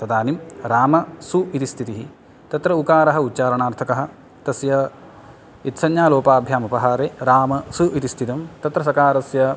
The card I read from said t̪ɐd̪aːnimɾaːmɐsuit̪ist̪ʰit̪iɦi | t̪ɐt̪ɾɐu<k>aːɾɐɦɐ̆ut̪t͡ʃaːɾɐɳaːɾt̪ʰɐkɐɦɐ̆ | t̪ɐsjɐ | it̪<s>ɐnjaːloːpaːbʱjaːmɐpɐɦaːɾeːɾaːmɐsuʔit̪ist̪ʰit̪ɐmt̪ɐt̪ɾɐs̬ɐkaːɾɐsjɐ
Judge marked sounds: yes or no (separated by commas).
yes, yes